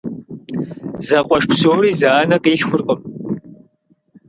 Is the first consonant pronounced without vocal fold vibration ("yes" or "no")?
no